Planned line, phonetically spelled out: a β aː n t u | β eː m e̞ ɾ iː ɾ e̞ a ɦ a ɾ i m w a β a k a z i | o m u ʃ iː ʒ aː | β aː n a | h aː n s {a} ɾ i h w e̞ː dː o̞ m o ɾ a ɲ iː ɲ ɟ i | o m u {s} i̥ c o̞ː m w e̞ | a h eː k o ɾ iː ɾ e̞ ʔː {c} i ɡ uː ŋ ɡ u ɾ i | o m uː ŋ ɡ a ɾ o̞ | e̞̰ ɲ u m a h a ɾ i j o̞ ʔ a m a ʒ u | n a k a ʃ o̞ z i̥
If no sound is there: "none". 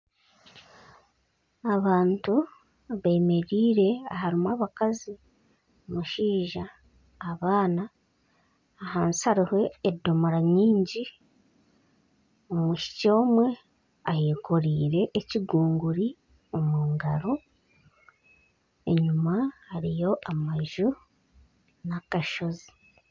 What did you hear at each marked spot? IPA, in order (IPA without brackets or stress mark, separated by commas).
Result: a, ʃ, c